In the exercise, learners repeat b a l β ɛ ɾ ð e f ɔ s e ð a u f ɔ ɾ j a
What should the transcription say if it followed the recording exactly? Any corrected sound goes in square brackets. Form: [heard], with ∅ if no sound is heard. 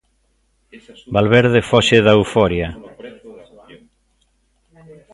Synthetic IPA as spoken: b a l β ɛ ɾ ð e f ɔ [ʃ] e ð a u f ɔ ɾ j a